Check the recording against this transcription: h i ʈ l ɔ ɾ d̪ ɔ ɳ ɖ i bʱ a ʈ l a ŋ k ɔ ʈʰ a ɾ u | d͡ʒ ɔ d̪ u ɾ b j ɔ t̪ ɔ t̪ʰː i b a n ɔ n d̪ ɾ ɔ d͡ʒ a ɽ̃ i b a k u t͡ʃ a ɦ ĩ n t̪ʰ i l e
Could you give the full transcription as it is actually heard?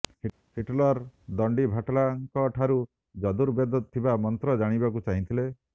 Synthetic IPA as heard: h i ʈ l ɔ ɾ d̪ ɔ ɳ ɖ i bʱ a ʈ l a ŋ k ɔ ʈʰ a ɾ u | d͡ʒ ɔ d̪ u ɾ b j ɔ d̪ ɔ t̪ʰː i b a m ɔ n t̪ ɾ ɔ d͡ʒ a ɽ̃ i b a k u t͡ʃ a ɦ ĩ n t̪ʰ i l e